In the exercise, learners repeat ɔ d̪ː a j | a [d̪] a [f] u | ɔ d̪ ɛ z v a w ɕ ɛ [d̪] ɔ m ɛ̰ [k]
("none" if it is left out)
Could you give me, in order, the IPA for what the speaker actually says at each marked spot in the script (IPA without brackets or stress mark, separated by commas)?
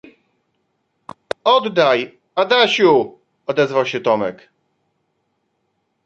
d̪, ɕ, t̪, k